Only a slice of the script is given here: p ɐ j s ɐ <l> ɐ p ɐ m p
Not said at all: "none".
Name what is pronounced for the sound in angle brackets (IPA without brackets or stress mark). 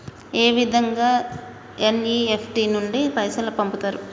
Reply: l